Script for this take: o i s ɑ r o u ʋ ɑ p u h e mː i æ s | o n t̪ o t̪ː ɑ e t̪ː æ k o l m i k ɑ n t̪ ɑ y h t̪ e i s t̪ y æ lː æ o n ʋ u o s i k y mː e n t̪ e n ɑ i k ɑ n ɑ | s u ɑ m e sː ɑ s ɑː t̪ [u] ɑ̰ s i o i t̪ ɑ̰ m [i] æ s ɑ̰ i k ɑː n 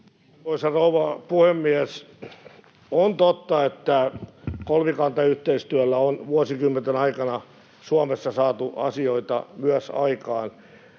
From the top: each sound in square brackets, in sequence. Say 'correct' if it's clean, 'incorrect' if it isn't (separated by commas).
correct, incorrect